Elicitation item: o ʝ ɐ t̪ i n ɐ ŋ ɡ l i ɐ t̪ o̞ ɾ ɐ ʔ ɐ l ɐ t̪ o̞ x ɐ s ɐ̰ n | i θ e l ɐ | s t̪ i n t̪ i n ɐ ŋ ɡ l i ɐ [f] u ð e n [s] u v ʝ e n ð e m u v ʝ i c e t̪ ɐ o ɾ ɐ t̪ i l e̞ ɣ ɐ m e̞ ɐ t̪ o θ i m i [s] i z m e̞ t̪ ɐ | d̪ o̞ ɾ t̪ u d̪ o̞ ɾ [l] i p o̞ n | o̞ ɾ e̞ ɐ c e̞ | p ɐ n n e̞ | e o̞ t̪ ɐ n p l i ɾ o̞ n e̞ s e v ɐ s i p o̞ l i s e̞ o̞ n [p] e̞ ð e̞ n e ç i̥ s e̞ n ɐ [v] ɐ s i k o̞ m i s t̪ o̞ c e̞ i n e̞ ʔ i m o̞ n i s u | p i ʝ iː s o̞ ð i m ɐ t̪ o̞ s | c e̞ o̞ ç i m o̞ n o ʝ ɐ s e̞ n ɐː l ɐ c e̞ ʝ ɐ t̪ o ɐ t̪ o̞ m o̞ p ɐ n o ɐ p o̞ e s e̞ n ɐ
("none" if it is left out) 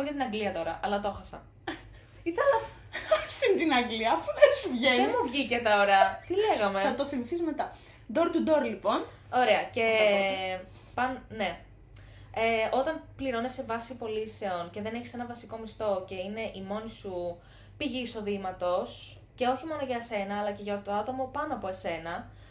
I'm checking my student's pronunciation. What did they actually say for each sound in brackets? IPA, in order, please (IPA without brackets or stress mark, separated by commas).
f, s, θ, l, c, v